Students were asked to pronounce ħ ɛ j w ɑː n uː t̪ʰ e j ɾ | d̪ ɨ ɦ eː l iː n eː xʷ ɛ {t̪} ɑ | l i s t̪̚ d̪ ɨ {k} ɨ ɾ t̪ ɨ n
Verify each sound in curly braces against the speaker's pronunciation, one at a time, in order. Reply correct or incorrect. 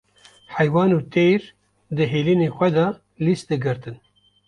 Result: incorrect: d̪, incorrect: ɡ

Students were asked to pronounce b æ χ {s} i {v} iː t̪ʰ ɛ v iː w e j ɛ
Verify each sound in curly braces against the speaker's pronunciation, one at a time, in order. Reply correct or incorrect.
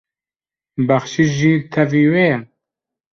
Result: incorrect: ʃ, incorrect: ʒ

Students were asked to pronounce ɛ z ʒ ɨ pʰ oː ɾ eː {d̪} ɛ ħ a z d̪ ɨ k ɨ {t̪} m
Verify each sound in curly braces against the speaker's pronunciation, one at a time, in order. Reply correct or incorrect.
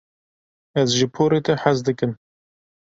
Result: incorrect: t̪, incorrect: none

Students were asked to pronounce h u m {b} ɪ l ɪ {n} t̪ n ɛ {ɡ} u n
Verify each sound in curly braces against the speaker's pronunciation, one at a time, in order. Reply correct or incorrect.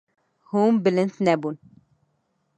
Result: correct, correct, incorrect: b

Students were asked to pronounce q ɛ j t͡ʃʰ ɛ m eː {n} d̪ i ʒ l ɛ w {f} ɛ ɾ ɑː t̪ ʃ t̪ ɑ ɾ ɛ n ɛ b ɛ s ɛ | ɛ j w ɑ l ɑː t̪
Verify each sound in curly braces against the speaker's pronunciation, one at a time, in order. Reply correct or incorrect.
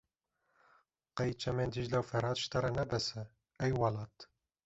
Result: correct, correct

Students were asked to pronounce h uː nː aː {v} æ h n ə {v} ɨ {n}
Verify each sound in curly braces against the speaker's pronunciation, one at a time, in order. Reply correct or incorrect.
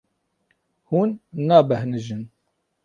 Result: incorrect: b, incorrect: ʒ, correct

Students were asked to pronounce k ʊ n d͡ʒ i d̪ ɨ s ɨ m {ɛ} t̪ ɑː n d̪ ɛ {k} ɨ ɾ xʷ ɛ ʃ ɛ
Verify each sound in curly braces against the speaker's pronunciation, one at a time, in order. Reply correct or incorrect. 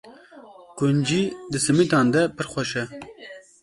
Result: incorrect: i, incorrect: p

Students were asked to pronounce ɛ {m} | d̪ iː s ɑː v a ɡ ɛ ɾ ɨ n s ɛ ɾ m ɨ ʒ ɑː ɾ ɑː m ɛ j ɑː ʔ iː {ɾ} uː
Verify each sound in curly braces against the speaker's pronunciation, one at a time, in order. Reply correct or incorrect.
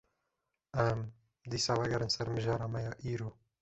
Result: correct, correct

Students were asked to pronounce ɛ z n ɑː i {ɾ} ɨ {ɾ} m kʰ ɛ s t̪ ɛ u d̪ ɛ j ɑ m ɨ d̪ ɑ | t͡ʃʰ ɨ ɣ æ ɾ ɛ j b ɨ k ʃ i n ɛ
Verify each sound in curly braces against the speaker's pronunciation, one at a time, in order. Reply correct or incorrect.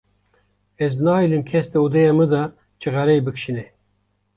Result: incorrect: l, incorrect: none

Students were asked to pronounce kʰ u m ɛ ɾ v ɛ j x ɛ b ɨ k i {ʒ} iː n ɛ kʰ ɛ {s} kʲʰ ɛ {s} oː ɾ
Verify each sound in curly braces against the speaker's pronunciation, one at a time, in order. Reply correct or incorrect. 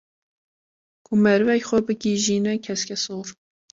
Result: correct, correct, correct

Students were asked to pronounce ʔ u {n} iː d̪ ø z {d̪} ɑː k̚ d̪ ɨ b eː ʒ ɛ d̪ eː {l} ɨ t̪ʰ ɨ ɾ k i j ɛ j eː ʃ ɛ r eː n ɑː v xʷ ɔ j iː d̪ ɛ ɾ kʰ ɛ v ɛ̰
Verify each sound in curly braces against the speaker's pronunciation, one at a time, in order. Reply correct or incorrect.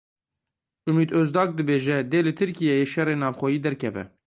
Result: incorrect: m, correct, correct

